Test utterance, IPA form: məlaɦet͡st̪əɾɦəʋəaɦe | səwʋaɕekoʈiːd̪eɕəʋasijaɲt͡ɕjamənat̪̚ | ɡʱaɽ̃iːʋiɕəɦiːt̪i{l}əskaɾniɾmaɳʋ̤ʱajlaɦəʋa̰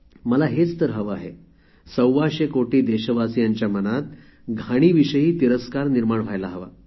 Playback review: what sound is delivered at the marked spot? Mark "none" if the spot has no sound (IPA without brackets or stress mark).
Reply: ɾ